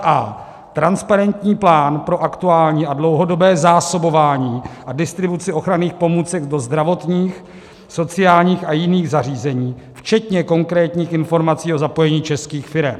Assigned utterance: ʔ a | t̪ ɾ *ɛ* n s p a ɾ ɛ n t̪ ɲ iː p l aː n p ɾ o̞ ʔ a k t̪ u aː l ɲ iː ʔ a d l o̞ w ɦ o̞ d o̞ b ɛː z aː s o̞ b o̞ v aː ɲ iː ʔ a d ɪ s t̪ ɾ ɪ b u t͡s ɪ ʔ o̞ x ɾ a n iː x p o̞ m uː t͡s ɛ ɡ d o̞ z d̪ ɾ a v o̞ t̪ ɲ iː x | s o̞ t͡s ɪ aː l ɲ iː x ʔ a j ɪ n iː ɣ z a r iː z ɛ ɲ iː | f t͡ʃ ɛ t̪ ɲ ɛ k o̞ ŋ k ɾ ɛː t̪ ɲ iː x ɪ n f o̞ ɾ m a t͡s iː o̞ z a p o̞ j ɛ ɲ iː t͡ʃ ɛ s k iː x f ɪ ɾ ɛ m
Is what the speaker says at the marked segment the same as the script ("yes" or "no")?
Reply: no